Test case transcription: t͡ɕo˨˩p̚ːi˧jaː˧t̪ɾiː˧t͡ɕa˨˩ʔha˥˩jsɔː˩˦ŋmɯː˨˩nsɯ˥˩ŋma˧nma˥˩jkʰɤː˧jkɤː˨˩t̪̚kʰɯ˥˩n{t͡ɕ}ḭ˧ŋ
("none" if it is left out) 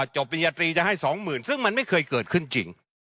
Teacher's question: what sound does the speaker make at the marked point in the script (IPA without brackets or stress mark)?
t͡ɕ